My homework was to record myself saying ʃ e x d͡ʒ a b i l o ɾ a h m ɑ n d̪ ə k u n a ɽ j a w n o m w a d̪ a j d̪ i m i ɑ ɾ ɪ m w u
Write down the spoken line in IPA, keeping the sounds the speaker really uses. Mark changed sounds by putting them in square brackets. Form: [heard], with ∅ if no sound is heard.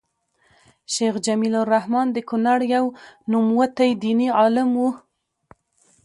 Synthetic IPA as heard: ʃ e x d͡ʒ a [m] i l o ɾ a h m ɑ n d̪ ə k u n a ɽ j a w n [u] m w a [t̪] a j d̪ i [n] i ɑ [l] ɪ m w u